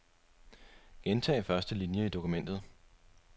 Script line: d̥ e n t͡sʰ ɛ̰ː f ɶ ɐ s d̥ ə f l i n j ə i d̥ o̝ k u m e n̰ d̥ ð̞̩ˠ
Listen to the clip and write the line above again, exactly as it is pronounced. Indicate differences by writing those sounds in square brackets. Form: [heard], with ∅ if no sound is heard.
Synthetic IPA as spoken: [ɡ̥] e n t͡sʰ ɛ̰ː f ɶ ɐ s d̥ ə [∅] l i n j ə i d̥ o̝ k u m e n̰ d̥ ð̞̩ˠ